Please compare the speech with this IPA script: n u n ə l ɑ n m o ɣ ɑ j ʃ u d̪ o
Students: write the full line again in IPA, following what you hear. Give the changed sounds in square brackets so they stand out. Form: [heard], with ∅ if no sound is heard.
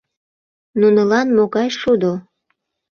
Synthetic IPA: n u n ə l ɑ n m o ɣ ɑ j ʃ u d̪ o